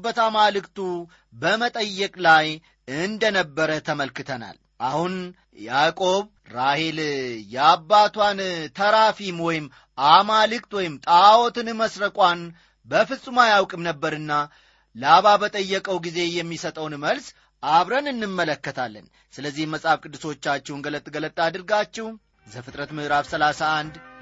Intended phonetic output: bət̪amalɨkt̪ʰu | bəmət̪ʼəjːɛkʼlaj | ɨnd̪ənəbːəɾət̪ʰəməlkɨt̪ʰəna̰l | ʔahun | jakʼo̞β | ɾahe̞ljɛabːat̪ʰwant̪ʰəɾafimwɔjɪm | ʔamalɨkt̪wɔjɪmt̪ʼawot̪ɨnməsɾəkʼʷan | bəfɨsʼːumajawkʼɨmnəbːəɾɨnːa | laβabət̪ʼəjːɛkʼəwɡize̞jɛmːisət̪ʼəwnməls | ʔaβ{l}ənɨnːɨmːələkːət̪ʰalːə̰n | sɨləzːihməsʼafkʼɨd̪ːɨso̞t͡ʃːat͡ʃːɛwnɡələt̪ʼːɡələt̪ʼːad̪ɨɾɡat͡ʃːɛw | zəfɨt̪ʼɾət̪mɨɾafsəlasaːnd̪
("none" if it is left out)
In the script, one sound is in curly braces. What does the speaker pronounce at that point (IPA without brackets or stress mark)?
ɾ